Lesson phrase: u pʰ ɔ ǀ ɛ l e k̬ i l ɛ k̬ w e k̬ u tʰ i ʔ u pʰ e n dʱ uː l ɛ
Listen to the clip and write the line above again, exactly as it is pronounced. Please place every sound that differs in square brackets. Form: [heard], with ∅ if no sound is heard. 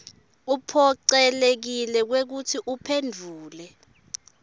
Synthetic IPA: u pʰ ɔ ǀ ɛ l e k̬ i l ɛ k̬ w e k̬ u tʰ i ʔ u pʰ e n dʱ uː l ɛ